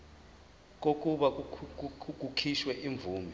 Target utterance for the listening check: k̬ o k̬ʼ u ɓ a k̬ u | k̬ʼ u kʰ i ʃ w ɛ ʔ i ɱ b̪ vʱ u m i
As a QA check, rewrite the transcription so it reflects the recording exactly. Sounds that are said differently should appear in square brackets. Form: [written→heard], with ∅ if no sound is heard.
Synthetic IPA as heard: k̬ o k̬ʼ u ɓ a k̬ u | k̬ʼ u kʰ i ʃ w ɛ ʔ i ɱ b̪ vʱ [u→uː] m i